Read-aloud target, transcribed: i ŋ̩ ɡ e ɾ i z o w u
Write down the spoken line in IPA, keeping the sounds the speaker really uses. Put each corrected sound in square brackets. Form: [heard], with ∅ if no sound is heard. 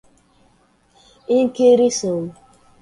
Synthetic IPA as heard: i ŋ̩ [k] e ɾ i [s] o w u